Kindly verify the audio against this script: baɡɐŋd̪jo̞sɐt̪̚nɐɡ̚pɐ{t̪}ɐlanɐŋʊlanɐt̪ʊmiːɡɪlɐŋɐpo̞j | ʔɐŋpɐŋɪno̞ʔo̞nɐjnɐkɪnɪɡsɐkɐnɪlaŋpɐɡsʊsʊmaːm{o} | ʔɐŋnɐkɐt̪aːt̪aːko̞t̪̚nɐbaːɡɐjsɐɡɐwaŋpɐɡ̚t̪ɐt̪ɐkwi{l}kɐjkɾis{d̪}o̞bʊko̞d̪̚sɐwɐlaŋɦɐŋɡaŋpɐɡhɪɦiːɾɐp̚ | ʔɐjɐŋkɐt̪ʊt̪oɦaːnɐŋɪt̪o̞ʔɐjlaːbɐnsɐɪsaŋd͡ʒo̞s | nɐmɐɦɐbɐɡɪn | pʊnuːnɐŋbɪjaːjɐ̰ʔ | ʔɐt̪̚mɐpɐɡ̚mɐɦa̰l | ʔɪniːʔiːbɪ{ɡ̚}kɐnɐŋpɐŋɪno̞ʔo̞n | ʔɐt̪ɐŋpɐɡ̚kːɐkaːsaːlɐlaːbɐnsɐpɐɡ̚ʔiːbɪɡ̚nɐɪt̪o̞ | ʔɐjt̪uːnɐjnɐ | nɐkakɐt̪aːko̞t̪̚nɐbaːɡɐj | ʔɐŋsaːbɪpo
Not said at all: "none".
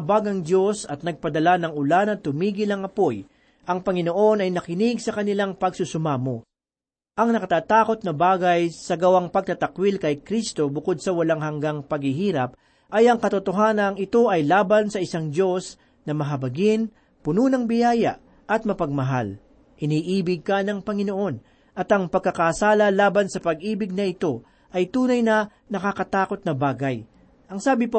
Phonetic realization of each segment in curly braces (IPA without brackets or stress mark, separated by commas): d̪, o, l, t̪, ɡ̚